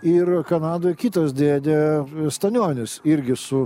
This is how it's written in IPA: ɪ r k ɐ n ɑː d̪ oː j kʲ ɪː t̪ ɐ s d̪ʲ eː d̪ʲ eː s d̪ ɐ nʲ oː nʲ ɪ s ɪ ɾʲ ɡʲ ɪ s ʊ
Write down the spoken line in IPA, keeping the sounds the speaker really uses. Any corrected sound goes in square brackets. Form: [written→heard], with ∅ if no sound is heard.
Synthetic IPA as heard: ɪ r k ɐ n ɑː d̪ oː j kʲ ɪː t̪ ɐ s d̪ʲ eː d̪ʲ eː s [d̪→t̪] ɐ nʲ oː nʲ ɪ s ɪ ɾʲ ɡʲ ɪ s ʊ